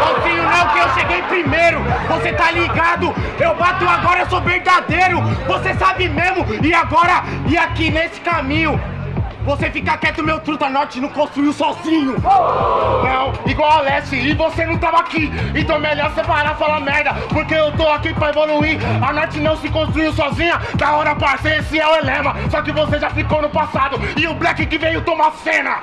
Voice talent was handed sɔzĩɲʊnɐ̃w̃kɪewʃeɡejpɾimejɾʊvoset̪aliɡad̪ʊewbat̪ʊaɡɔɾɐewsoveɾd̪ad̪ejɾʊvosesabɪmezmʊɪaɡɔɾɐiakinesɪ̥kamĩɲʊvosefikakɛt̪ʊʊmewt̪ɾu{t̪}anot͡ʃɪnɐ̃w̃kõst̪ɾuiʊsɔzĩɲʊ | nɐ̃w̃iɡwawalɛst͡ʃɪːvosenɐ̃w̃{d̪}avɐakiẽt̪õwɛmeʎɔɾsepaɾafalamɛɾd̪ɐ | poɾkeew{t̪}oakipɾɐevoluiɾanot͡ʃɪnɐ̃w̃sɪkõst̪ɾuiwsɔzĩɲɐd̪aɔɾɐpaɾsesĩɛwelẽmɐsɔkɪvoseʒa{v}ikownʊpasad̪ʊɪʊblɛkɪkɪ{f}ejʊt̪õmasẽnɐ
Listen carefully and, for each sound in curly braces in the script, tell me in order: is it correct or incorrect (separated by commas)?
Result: correct, incorrect, correct, incorrect, incorrect